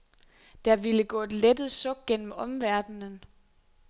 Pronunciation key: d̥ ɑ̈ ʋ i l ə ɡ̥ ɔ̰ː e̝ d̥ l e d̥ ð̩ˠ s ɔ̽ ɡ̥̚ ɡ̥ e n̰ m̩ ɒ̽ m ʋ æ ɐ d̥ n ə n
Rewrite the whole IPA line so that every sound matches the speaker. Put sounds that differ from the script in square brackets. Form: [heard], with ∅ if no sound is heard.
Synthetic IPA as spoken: d̥ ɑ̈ ʋ i l ə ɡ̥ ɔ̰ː e̝ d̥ l e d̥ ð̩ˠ s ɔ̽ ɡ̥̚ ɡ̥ e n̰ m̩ ɒ̽ m ʋ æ ɐ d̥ n ə n